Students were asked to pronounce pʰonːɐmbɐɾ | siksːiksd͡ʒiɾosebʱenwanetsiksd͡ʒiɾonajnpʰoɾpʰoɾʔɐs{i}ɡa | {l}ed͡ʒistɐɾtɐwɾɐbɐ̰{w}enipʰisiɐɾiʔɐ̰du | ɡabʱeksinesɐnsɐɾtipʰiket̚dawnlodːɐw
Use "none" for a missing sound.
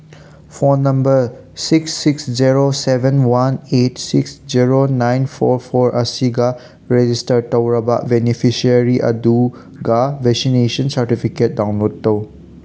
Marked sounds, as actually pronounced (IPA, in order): i, ɾ, b

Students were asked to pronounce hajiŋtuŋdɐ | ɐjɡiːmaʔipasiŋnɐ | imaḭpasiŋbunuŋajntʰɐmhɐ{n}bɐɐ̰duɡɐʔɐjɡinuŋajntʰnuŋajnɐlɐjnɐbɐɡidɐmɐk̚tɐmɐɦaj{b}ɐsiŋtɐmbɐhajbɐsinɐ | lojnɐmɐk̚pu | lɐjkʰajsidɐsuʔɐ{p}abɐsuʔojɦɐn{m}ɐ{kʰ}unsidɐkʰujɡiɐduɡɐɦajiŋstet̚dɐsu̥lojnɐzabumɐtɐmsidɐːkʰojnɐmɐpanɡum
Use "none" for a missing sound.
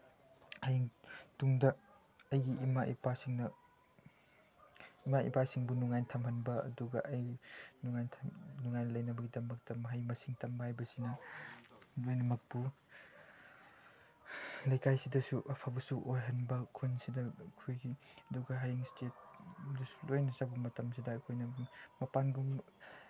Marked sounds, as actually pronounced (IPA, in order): n, m, pʰ, b, kʰ

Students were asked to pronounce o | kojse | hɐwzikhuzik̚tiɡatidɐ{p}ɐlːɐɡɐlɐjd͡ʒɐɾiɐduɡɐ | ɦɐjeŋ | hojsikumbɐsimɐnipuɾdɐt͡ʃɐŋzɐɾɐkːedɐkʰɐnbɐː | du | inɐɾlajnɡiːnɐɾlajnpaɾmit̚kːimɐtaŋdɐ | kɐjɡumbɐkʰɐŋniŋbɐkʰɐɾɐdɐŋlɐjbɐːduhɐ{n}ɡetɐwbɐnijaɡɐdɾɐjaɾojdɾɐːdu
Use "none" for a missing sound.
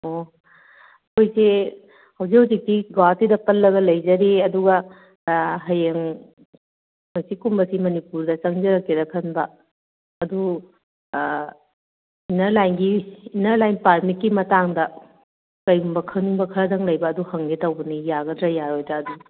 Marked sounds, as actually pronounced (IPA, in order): p, ŋ

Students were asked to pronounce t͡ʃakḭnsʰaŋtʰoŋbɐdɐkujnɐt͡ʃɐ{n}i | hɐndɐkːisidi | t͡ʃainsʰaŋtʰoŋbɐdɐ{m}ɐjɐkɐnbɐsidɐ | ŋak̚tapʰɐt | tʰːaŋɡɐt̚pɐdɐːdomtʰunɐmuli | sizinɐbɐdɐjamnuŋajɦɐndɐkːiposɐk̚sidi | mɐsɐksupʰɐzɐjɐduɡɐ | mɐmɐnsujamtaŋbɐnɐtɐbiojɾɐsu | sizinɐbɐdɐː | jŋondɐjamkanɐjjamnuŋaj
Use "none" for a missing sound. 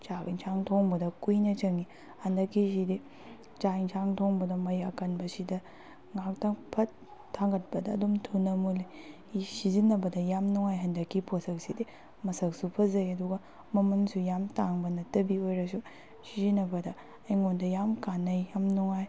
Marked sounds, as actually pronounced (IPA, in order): ŋ, m

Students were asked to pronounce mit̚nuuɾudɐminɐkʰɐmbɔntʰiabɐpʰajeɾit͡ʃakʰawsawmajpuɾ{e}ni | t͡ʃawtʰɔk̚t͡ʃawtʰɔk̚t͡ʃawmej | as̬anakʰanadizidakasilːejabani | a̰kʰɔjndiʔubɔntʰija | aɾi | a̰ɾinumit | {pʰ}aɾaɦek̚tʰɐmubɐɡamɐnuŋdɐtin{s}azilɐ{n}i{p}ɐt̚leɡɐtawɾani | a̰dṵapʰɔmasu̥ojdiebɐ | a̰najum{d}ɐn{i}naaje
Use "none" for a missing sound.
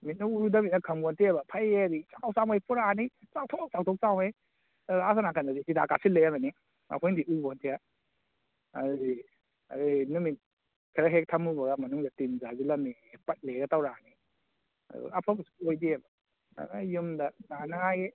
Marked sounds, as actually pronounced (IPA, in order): a, kʰ, z, m, p, d, a

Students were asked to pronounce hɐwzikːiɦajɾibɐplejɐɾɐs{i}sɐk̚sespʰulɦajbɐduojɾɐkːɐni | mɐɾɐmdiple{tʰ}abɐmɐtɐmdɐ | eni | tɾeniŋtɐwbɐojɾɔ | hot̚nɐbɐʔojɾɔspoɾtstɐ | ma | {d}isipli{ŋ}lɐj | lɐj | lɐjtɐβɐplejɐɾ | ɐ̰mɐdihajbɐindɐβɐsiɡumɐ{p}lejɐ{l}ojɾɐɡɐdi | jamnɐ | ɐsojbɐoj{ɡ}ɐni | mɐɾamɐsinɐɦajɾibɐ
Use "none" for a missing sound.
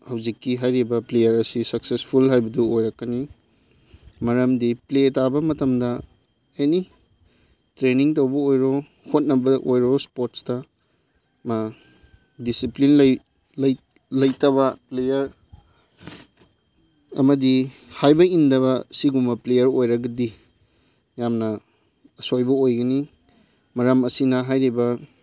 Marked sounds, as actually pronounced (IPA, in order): i, t, d, n, p, ɾ, ɡ

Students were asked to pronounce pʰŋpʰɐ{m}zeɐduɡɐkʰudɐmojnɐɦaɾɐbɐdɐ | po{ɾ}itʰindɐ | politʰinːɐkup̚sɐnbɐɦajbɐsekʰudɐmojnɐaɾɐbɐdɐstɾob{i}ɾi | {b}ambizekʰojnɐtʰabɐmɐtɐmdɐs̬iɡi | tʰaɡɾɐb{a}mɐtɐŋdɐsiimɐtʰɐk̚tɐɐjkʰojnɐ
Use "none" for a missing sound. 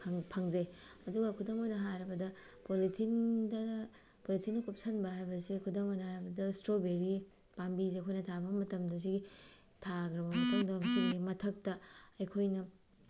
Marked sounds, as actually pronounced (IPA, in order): ŋ, l, e, p, ɐ

